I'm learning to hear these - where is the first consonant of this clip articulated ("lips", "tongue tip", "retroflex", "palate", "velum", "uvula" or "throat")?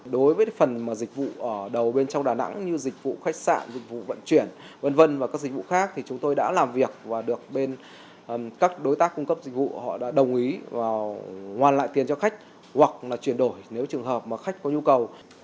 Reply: tongue tip